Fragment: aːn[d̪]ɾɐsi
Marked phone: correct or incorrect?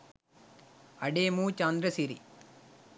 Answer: correct